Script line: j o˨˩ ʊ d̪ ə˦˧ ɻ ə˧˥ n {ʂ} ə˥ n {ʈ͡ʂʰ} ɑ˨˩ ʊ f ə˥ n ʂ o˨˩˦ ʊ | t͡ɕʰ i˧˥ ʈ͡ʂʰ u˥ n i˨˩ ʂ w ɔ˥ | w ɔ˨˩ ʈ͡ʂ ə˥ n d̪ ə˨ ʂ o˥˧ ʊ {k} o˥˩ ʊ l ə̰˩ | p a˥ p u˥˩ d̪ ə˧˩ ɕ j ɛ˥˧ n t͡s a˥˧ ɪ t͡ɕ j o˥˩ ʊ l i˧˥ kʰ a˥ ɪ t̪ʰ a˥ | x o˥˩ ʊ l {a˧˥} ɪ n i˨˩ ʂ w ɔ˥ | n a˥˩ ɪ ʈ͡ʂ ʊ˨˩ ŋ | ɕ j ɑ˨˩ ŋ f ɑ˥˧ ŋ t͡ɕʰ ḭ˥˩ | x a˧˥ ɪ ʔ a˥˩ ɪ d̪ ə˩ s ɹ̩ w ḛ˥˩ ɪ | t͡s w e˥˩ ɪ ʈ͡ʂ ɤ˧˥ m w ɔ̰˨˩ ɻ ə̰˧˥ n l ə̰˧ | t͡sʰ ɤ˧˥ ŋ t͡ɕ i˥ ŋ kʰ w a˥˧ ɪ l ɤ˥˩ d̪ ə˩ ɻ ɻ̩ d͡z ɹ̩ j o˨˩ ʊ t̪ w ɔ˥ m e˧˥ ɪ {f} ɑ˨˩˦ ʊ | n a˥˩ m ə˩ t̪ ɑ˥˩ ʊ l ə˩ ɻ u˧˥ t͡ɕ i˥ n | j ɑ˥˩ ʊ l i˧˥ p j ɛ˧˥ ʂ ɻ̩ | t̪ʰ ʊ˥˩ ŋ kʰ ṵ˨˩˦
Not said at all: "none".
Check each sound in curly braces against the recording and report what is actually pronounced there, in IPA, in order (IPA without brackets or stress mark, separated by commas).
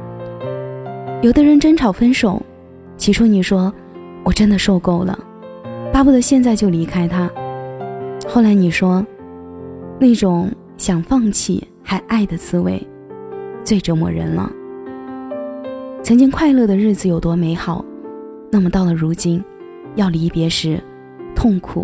ʈ͡ʂ, ʈ͡ʂʰ, k, a˧˥, x